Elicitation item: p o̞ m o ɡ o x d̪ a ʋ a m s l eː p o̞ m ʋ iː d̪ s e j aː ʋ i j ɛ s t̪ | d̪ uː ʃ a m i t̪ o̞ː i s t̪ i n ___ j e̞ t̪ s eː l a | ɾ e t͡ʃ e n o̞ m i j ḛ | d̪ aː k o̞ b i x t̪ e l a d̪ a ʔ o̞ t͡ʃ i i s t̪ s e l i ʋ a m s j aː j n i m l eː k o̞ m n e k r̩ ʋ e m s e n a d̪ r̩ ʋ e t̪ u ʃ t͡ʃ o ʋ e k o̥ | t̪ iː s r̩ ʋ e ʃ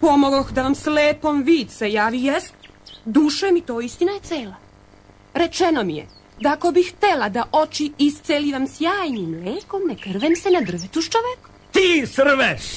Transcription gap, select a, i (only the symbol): a